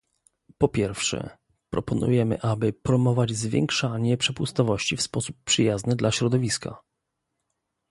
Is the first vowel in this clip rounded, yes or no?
yes